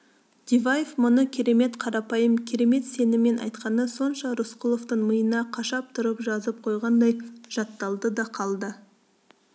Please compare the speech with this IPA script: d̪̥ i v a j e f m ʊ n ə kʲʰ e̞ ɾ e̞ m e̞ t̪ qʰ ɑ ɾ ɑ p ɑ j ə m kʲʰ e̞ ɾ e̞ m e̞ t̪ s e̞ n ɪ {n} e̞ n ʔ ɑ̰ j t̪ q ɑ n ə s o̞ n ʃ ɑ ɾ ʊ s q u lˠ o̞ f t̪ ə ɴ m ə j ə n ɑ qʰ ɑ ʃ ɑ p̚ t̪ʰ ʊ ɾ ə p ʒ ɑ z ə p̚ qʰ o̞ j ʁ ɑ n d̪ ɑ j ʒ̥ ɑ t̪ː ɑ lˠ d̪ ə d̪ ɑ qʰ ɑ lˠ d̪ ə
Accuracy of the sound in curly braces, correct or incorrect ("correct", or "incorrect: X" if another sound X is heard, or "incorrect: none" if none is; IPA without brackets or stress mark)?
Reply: incorrect: m